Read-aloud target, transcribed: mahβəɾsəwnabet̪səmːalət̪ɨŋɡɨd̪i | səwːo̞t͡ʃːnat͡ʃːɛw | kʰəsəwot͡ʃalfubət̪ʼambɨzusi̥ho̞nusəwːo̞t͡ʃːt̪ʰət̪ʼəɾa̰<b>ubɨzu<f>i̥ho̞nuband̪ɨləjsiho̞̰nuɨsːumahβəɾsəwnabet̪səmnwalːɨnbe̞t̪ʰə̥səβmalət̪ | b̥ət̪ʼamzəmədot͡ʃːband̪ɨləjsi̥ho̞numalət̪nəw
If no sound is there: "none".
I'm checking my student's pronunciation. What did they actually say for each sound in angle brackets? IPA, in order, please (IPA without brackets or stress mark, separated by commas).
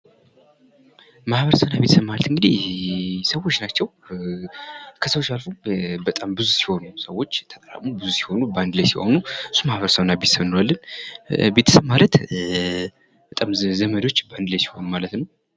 m, s